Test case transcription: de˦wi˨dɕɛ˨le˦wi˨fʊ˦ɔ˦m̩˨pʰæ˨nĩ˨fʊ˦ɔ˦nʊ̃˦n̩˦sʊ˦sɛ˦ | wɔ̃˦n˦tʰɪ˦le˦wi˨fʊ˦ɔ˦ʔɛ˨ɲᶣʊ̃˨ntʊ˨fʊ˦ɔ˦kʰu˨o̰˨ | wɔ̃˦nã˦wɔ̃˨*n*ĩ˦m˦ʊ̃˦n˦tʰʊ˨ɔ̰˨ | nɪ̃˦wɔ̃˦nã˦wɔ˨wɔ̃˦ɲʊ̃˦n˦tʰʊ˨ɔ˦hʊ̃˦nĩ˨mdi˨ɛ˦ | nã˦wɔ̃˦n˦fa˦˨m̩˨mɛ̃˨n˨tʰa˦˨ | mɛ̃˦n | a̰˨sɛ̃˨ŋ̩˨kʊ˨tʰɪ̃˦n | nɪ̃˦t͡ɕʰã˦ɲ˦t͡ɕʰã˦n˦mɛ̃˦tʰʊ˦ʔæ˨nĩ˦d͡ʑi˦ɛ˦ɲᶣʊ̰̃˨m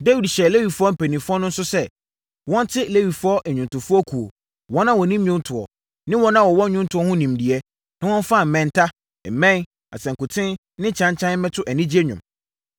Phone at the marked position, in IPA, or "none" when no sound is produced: n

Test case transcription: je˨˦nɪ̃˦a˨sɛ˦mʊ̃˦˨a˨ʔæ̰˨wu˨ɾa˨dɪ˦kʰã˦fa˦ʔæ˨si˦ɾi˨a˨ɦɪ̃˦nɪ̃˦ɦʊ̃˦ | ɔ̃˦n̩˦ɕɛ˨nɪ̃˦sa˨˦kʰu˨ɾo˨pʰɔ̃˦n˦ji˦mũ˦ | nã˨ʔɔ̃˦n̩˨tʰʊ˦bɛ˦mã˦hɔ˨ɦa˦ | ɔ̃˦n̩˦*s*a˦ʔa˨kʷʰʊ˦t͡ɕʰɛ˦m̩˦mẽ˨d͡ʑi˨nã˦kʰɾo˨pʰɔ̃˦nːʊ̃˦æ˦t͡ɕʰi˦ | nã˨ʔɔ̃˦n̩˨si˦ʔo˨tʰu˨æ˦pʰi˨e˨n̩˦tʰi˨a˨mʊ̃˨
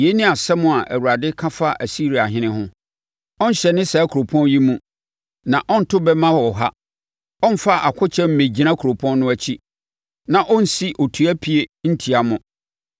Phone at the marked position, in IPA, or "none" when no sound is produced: f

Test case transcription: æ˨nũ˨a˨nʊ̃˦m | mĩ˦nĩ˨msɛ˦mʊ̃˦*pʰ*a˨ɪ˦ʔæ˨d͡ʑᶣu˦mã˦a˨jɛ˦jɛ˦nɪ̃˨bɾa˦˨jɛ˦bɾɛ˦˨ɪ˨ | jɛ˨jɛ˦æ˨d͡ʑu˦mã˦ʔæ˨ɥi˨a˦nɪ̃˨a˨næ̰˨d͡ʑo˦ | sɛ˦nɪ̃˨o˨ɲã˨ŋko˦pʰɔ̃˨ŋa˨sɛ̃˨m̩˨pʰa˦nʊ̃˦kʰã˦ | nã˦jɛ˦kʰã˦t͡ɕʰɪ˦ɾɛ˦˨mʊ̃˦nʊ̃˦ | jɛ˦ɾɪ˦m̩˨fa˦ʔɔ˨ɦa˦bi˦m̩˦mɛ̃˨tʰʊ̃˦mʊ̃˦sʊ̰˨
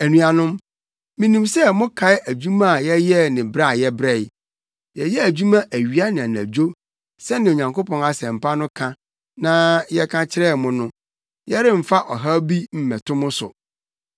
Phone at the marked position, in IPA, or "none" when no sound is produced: kʰ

